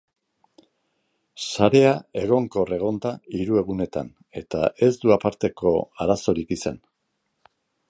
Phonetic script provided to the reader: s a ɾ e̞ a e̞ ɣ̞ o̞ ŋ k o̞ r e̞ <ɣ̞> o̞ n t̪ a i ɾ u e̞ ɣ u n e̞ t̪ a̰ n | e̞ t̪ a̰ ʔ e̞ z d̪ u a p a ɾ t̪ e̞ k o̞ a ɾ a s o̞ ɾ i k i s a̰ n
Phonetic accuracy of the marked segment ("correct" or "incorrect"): correct